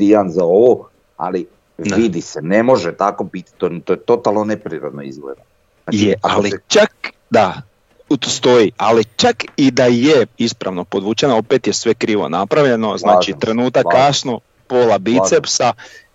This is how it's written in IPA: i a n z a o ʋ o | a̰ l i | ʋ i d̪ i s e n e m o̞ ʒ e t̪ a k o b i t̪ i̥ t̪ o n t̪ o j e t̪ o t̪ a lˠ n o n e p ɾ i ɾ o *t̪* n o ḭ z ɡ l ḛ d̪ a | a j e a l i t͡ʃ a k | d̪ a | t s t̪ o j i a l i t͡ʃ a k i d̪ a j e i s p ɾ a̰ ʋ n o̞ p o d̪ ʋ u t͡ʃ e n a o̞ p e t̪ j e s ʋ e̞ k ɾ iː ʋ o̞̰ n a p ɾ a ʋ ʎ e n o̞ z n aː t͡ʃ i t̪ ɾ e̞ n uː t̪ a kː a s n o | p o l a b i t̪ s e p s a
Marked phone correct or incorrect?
incorrect